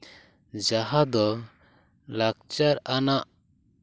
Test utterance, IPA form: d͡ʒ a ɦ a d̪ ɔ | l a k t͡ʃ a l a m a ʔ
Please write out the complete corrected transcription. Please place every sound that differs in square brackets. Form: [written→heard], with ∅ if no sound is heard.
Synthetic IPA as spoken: d͡ʒ a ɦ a d̪ ɔ | l a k t͡ʃ a [l→ɾ] a [m→n] a ʔ